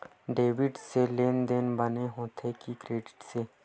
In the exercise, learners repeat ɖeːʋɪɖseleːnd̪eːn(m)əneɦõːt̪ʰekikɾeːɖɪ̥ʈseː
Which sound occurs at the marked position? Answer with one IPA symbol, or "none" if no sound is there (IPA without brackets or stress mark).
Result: b